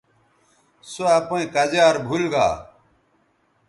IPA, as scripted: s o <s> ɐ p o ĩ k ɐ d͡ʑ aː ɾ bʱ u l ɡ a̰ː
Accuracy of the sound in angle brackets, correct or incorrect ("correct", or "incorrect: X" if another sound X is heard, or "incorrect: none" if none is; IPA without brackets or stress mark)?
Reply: incorrect: none